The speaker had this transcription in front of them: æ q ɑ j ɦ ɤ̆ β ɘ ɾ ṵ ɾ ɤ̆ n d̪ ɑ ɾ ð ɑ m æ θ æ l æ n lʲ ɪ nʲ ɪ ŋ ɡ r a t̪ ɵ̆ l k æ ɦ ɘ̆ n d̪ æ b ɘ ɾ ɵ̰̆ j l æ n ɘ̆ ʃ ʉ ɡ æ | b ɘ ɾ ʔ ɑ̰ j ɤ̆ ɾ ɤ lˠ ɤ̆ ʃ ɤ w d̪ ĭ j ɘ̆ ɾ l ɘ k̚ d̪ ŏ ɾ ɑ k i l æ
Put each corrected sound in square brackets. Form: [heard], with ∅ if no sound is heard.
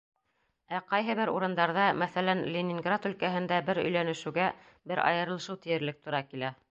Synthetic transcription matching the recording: æ q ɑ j ɦ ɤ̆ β ɘ ɾ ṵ ɾ ɤ̆ n d̪ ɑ ɾ ð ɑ m æ θ æ l æ n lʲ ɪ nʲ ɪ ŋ ɡ r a t̪ ɵ̆ l k æ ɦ ɘ̆ n d̪ æ b ɘ ɾ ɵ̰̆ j l æ n ɘ̆ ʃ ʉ ɡ æ | b ɘ ɾ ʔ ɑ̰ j ɤ̆ ɾ ɤ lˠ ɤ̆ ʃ ɤ w [t̪] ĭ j ɘ̆ ɾ l ɘ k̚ [t̪] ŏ ɾ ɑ k i l æ